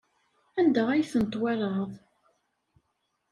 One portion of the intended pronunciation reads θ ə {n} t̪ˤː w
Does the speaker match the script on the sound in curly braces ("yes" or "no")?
yes